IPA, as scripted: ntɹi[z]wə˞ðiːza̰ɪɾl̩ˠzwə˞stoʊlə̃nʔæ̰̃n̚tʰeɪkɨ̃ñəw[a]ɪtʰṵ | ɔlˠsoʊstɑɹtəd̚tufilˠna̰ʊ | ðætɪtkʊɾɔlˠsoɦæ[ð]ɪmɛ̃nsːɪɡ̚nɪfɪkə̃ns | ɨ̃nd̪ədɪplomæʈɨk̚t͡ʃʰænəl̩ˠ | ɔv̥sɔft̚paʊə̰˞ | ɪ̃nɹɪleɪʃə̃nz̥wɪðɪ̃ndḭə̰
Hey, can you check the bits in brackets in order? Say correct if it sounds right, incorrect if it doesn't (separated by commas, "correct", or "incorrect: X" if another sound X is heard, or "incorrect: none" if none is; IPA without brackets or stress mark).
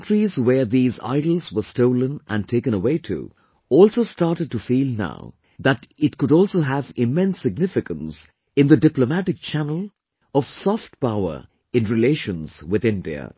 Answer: correct, incorrect: e, incorrect: v